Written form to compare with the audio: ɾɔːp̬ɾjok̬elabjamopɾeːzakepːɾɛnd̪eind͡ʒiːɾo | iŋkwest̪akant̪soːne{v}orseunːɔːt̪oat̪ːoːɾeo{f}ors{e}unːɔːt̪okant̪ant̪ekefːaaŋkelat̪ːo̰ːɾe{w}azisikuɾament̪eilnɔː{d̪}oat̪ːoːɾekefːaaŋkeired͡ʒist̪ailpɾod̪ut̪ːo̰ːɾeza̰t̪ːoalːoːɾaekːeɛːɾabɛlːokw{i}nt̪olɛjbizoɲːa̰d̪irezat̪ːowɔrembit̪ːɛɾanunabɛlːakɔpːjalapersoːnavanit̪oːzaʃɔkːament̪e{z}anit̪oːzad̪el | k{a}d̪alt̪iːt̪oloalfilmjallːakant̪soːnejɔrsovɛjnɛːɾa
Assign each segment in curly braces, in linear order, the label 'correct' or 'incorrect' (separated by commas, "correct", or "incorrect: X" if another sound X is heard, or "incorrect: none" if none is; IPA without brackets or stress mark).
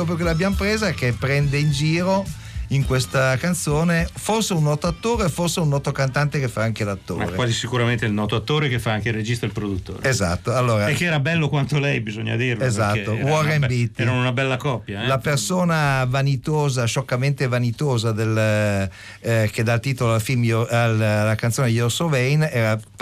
incorrect: f, correct, correct, correct, incorrect: t̪, incorrect: a, incorrect: v, incorrect: e